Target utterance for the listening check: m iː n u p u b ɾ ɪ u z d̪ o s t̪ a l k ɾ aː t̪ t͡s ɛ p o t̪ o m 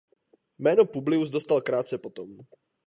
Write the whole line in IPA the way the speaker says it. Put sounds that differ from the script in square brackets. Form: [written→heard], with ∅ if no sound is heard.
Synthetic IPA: m [iː→ɛː] n [u→o] p u b [ɾ→l] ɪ u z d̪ o s t̪ a l k ɾ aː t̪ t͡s ɛ p o t̪ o m